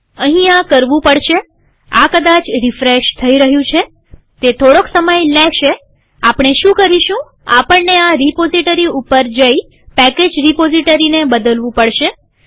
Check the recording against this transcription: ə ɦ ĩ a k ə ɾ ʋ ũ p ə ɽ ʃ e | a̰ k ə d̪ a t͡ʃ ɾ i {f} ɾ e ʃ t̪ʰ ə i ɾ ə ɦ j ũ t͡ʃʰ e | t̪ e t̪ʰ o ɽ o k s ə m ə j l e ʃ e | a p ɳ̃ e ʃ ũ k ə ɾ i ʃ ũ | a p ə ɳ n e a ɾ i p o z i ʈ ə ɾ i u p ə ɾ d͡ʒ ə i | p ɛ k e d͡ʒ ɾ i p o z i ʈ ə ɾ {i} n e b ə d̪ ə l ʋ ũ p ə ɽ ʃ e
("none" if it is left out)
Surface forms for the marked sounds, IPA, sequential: f, i

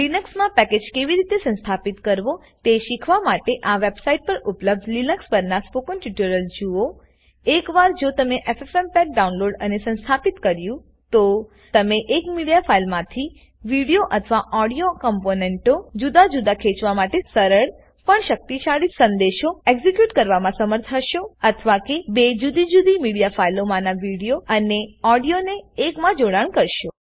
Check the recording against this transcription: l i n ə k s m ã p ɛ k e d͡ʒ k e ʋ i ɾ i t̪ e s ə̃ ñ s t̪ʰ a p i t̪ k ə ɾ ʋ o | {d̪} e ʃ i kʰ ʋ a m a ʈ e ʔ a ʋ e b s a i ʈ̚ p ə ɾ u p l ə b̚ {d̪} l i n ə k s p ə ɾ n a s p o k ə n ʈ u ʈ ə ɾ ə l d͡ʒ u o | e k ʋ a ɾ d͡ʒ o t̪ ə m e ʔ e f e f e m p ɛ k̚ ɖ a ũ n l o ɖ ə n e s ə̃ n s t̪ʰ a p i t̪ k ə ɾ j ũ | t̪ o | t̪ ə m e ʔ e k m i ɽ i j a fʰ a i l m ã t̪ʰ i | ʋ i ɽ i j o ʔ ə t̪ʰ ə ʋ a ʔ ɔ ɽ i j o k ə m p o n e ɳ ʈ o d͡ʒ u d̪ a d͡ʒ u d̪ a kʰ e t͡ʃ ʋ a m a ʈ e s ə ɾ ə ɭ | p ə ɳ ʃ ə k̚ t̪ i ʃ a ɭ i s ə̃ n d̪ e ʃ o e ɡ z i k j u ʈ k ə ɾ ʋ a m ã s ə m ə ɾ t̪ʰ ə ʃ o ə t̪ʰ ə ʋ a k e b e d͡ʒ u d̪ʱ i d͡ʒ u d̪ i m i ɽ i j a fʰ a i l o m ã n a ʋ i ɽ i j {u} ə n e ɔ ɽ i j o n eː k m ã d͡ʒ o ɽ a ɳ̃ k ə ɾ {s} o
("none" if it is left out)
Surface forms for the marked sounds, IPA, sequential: t̪, d̪, o, ʃ

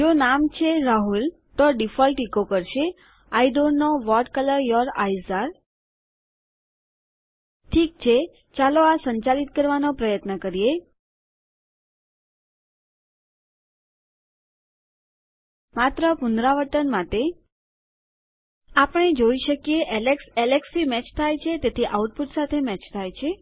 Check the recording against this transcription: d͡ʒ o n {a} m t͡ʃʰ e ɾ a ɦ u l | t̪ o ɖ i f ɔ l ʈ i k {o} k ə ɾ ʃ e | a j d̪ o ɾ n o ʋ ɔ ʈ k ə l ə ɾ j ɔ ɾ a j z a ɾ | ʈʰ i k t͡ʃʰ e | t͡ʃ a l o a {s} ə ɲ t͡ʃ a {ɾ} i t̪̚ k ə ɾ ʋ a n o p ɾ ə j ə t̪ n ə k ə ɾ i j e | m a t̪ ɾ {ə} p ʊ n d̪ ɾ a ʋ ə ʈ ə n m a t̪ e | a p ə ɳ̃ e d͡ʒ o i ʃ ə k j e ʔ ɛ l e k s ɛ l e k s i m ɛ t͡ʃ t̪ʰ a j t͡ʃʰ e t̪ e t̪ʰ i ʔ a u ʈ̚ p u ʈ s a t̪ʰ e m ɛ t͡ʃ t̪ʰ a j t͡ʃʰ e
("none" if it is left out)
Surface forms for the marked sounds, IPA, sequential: a, o, s, l, ə

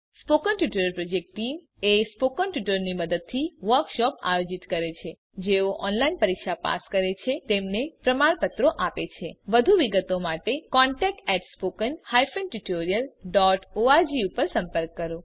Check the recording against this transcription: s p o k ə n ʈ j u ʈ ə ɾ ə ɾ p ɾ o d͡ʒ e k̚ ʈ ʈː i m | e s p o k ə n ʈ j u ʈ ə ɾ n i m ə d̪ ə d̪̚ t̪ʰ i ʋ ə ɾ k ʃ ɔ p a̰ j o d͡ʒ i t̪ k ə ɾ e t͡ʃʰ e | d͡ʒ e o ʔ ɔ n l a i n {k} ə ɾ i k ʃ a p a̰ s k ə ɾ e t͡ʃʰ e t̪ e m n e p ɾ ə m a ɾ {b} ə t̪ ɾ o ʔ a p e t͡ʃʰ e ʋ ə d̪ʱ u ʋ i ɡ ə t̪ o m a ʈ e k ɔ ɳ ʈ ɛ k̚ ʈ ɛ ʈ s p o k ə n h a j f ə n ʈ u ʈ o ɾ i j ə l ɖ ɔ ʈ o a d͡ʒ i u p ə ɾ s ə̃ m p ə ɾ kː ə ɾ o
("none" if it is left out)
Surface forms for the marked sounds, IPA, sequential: p, p

